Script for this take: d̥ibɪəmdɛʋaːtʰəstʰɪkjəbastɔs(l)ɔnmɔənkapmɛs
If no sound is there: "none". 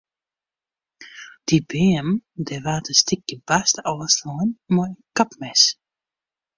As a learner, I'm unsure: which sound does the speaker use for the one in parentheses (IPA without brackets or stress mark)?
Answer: l